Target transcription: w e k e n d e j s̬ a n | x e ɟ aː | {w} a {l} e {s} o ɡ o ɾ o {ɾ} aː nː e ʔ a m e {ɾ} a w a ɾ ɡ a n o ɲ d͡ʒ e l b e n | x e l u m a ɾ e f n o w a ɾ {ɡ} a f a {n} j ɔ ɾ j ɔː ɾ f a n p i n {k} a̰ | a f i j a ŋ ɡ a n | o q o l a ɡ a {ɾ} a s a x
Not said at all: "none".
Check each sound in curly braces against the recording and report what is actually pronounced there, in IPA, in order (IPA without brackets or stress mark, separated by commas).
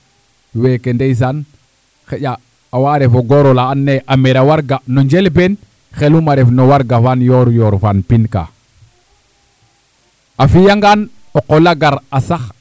w, ɾ, f, l, ɾ, ɡ, n, k, ɾ